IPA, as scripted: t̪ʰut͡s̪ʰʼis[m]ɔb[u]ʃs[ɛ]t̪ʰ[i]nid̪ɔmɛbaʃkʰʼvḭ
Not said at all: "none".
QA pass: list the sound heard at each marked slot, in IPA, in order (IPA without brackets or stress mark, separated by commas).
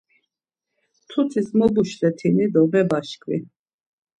m, u, ɛ, i